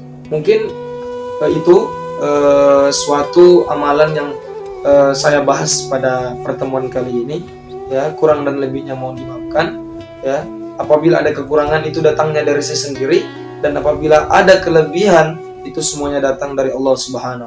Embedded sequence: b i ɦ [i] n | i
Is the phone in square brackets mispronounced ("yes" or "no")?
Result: yes